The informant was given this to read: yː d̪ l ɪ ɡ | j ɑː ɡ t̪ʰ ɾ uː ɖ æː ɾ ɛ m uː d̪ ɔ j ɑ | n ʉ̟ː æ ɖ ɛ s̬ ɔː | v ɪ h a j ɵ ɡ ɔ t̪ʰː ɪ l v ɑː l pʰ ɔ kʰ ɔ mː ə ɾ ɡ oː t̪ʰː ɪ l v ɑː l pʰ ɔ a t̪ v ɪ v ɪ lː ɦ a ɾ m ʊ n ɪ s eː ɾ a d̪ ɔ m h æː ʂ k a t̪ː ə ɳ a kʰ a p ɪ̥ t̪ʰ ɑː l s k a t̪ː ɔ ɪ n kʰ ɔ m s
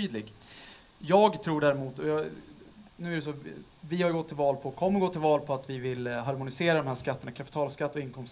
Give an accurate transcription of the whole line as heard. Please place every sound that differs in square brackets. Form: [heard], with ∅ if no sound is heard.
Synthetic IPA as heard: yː d̪ l ɪ ɡ | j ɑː ɡ t̪ʰ ɾ uː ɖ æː ɾ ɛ m uː [t̪] ɔ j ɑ | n ʉ̟ː æ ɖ ɛ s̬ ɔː | v ɪ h a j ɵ ɡ ɔ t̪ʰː ɪ l v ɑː l pʰ ɔ kʰ ɔ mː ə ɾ ɡ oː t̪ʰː ɪ l v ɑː l pʰ ɔ a t̪ v ɪ v ɪ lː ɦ a ɾ m ʊ n ɪ s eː ɾ a d̪ ɔ m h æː ʂ k a t̪ː ə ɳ a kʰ a p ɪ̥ t̪ʰ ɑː l s k a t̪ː ɔ ɪ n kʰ ɔ m s